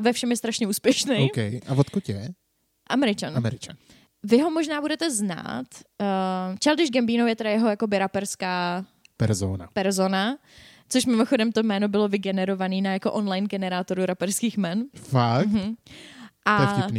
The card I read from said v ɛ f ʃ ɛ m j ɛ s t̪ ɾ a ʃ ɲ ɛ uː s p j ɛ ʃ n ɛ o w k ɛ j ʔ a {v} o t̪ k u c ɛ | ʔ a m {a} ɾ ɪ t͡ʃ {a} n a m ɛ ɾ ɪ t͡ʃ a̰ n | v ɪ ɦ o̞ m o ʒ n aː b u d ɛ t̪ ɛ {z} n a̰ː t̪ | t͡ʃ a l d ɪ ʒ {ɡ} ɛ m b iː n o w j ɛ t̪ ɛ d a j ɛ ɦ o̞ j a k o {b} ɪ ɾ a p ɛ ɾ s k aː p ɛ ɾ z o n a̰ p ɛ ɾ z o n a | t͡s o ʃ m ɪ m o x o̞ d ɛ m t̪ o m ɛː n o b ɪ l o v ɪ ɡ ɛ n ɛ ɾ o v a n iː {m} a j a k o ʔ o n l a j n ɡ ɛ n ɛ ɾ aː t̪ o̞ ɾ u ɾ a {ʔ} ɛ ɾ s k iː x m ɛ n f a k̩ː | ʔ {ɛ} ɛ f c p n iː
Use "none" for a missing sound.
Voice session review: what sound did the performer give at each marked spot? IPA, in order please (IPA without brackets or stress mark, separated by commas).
v, ɛ, a, z, ɡ, b, n, p, a